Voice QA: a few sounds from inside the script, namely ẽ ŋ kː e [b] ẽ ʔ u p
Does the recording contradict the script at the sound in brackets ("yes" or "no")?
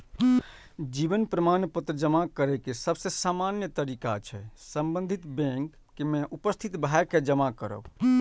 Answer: yes